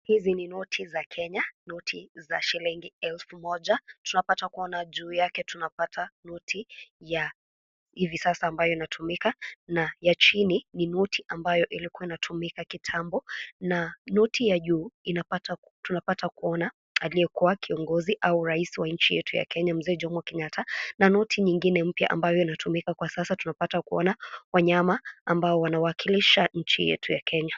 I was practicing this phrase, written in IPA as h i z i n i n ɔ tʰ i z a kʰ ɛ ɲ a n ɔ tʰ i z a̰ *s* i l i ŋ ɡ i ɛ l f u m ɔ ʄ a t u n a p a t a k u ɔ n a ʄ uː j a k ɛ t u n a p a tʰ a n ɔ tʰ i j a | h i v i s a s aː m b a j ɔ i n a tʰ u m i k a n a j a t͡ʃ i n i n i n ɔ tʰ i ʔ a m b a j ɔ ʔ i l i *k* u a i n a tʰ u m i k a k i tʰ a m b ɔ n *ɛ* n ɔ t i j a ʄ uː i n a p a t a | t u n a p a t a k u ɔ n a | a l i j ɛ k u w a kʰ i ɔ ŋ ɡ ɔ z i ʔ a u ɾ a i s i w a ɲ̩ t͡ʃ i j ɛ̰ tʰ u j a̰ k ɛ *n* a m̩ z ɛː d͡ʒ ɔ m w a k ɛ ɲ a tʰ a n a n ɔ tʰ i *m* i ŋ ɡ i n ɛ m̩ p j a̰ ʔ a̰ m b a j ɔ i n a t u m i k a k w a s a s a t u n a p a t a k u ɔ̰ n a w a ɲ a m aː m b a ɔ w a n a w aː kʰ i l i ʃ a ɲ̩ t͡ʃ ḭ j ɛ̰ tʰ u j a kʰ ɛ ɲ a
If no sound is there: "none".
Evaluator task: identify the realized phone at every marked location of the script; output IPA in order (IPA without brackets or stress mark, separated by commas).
ʃ, k, a, ɲ, ɲ